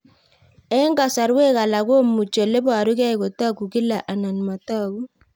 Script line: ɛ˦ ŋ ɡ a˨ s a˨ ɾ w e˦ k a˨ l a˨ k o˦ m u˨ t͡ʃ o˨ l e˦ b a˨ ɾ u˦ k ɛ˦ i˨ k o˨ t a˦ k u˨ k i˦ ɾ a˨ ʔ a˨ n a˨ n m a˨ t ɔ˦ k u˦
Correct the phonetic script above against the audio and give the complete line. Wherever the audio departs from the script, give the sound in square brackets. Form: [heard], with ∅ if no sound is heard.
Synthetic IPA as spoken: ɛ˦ ŋ ɡ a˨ s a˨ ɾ w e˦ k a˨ l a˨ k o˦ m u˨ t͡ʃ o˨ l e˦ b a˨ ɾ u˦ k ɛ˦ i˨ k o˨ t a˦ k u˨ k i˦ [l] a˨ ʔ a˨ n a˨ n m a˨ t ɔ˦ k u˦